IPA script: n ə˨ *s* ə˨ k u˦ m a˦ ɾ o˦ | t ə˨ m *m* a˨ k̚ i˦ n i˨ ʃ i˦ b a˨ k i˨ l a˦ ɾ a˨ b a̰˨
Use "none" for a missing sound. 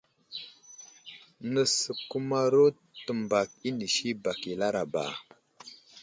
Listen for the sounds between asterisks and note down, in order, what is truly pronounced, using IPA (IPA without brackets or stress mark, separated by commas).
s, b